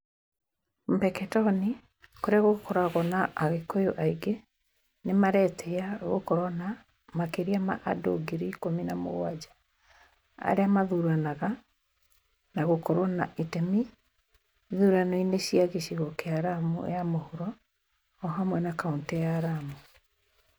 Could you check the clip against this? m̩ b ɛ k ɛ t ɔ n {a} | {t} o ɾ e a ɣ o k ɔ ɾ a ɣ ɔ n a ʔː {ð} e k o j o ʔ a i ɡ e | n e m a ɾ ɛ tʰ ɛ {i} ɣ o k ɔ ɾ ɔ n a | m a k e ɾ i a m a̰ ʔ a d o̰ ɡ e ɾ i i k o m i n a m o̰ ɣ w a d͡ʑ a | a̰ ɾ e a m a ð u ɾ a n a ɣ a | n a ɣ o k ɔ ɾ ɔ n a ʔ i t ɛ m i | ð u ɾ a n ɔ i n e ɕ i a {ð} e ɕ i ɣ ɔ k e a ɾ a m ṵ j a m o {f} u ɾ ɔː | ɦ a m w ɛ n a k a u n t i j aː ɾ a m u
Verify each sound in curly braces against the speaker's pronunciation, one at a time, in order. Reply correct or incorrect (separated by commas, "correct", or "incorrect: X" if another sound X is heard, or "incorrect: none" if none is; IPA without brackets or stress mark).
incorrect: i, incorrect: k, incorrect: ɣ, incorrect: a, incorrect: ɣ, incorrect: h